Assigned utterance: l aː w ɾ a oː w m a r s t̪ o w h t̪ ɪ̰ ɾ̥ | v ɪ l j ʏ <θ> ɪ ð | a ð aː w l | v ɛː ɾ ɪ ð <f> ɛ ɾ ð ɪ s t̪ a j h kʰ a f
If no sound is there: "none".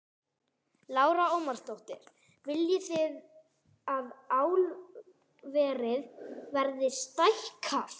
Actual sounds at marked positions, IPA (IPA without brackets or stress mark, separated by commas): θ, v